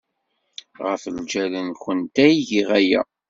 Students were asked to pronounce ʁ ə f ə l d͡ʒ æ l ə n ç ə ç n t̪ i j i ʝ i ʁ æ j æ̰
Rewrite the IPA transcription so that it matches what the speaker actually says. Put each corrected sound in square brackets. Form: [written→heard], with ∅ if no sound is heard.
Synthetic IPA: ʁ ə f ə l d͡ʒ æ l ə n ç ə [ç→∅] n t̪ [i→æ] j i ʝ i ʁ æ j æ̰